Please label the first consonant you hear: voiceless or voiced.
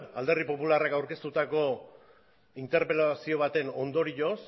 voiced